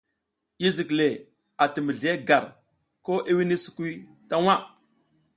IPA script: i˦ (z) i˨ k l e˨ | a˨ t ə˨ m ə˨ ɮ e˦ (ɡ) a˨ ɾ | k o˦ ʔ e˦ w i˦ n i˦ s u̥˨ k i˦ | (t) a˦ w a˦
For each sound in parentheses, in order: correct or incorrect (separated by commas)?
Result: correct, correct, correct